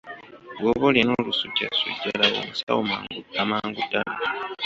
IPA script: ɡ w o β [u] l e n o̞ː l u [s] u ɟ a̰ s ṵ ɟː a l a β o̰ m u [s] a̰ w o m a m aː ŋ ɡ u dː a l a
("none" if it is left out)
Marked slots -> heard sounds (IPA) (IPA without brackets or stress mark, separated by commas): o, s, s